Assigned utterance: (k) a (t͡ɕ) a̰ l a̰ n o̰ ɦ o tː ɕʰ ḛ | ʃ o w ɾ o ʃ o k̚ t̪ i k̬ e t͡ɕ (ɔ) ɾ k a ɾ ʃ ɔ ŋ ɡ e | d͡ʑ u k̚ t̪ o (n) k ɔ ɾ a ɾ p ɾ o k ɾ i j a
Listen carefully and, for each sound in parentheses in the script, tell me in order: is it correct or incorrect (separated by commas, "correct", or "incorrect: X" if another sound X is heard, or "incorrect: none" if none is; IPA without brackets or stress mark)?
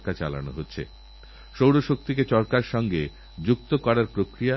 correct, correct, correct, incorrect: none